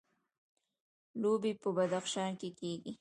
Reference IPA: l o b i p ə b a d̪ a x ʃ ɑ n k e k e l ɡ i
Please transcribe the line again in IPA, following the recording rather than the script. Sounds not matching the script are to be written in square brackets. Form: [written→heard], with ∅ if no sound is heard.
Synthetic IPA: l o b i p ə b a d̪ a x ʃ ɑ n k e k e [l→∅] ɡ i